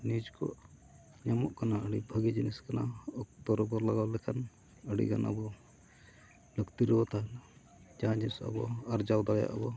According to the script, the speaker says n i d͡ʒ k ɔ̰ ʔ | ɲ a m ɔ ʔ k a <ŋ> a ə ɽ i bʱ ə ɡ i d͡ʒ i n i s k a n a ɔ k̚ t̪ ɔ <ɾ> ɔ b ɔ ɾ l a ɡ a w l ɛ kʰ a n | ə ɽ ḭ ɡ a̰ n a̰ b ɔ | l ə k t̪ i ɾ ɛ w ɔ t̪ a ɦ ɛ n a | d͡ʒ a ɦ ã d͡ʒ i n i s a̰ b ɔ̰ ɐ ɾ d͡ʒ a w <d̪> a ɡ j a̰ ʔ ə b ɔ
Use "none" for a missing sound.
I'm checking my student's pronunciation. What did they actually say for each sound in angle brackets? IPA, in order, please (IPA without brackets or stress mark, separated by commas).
n, ɾ, d̪